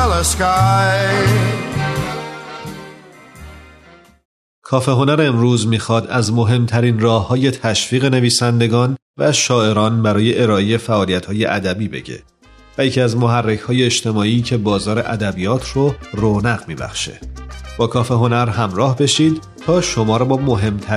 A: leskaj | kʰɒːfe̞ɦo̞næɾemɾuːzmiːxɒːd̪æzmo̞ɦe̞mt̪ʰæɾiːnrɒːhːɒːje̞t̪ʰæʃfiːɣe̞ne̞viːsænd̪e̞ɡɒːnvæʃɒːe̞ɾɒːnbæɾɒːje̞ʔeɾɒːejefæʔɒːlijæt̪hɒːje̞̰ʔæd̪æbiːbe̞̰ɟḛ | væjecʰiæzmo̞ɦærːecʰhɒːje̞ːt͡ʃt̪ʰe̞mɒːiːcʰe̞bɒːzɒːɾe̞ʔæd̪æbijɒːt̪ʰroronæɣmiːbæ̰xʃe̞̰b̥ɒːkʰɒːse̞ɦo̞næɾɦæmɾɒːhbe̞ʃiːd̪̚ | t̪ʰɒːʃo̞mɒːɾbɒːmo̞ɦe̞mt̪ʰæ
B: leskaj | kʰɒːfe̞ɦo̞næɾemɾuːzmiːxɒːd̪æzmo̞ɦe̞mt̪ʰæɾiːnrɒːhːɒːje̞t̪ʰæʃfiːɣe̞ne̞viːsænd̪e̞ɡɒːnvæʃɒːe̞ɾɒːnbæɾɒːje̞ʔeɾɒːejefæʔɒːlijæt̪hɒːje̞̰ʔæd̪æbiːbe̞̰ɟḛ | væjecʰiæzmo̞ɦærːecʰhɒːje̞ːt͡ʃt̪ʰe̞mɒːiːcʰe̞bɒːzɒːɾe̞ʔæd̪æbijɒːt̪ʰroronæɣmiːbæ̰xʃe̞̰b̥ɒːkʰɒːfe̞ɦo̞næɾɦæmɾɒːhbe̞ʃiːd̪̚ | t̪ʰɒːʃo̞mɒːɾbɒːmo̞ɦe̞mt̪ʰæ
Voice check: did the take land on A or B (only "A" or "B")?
B